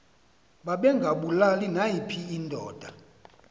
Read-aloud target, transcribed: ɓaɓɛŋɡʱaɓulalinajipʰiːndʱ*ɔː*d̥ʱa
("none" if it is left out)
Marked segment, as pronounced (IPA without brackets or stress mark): ɔː